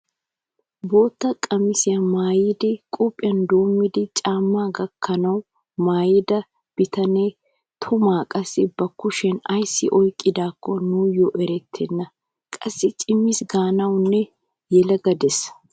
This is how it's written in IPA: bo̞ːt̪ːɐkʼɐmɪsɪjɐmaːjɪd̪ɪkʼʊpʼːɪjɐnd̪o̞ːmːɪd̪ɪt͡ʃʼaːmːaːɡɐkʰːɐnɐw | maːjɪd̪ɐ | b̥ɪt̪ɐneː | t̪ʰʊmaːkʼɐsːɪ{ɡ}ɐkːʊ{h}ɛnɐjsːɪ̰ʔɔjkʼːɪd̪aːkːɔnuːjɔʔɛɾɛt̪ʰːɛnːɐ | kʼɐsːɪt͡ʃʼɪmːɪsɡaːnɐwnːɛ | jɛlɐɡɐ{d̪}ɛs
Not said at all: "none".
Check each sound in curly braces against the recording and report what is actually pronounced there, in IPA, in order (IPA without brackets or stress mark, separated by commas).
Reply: b, ʃ, d̪